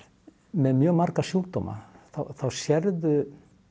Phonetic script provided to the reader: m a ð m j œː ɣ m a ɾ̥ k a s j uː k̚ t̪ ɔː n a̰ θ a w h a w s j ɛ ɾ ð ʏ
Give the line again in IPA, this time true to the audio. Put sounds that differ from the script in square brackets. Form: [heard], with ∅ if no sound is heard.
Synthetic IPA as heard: m [ɛ] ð m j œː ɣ m a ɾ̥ k a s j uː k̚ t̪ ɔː [m] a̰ θ a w [θ] a w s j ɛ ɾ ð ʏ